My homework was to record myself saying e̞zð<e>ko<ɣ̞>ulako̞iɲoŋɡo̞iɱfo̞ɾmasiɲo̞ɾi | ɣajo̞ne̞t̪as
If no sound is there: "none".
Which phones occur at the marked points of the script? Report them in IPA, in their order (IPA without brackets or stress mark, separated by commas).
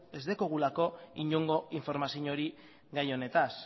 e, ɣ̞